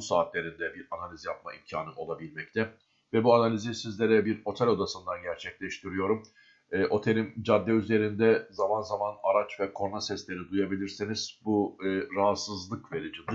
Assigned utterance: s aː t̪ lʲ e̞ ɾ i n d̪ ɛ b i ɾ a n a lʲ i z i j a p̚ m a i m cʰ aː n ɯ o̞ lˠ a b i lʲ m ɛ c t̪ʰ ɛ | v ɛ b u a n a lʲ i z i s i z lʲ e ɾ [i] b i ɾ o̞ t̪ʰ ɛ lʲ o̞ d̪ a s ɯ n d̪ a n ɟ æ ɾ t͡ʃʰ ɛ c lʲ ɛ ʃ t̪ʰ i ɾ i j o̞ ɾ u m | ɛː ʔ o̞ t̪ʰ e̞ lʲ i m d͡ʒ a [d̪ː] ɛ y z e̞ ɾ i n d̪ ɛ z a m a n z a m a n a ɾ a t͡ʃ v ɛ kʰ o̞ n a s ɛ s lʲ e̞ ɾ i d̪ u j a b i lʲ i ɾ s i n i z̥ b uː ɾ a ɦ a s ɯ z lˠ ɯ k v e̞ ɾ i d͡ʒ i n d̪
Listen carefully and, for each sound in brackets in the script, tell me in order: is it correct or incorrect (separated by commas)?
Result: incorrect, correct